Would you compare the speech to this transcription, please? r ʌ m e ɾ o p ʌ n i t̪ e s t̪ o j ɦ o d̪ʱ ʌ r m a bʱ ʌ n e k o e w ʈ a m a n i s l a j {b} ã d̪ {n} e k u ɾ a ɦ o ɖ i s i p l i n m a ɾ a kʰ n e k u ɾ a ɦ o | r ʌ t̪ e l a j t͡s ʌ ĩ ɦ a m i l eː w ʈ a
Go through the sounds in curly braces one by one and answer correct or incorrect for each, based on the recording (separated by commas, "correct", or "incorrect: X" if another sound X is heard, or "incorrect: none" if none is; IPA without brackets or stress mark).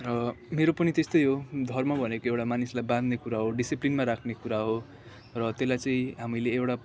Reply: correct, correct